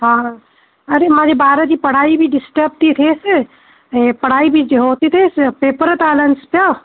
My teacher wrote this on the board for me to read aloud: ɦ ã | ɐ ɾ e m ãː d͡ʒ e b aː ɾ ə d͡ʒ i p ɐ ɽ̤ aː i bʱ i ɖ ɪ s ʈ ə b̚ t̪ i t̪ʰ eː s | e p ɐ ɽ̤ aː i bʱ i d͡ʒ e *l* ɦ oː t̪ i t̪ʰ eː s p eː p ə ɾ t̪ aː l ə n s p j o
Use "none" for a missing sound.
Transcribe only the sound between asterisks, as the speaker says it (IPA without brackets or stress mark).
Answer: none